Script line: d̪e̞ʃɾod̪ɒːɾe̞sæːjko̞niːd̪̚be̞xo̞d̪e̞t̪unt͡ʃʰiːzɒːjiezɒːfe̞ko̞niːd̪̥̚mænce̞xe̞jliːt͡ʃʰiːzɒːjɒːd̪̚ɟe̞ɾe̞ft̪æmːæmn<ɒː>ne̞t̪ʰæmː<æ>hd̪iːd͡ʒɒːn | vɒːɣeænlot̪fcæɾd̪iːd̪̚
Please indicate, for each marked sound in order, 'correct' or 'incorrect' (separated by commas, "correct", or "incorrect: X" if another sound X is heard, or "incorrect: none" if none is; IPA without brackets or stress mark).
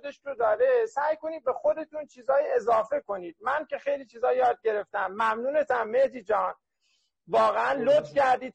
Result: incorrect: uː, incorrect: e